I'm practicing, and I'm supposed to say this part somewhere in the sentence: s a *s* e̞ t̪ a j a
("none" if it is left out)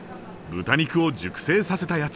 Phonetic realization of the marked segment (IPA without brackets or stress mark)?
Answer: s